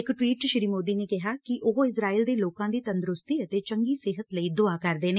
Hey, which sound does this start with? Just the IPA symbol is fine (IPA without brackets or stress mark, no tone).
ɪ